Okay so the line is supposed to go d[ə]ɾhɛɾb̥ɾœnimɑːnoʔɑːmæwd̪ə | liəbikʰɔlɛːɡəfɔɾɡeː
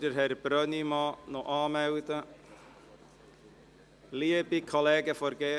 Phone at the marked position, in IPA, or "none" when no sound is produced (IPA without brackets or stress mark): ə